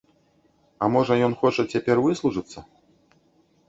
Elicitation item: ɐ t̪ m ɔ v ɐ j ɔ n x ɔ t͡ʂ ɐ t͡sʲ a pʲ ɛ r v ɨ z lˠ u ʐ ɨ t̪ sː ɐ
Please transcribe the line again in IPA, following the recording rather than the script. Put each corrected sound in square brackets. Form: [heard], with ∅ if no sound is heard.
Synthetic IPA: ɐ [∅] m ɔ [ʐ] ɐ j ɔ n x ɔ t͡ʂ ɐ t͡sʲ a pʲ ɛ r v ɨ [s] lˠ u ʐ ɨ t̪ sː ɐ